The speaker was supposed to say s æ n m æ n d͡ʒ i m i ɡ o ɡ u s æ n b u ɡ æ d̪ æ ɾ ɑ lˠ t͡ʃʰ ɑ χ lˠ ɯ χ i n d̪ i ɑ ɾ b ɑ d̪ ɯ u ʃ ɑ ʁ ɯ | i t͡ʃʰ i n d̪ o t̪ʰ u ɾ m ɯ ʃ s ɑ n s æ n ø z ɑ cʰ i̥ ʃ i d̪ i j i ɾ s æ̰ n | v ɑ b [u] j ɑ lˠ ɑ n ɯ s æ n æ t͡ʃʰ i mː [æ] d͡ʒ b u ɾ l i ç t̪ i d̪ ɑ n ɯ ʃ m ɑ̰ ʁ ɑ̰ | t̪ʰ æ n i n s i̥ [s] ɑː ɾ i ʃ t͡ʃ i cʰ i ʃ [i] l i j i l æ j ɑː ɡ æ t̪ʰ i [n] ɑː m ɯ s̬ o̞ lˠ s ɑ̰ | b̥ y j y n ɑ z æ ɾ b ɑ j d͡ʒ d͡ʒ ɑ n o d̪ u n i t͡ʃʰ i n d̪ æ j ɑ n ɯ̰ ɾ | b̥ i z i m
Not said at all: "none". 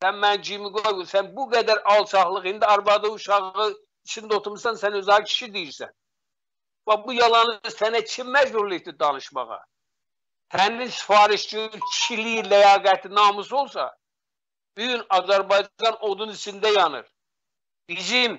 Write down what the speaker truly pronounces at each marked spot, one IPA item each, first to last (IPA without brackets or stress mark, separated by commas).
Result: u, æ, f, i, n